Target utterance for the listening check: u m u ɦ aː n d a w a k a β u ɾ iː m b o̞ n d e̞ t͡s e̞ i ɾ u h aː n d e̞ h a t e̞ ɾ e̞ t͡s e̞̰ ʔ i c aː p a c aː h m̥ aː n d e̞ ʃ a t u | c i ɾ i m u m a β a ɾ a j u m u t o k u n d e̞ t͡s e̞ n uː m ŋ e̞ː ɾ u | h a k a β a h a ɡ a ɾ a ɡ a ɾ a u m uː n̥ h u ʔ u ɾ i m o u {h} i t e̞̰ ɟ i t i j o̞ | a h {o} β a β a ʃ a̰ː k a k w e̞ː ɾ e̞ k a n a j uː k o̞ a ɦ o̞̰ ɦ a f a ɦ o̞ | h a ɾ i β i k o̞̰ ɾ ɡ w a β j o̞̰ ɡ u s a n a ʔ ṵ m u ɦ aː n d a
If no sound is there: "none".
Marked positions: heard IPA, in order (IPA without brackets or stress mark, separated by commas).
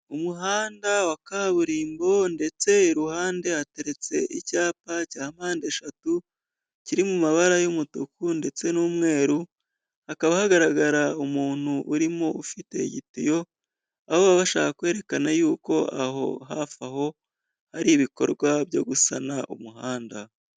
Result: f, o